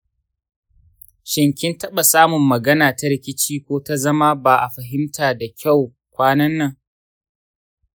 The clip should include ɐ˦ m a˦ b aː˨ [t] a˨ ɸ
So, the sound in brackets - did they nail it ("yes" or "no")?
no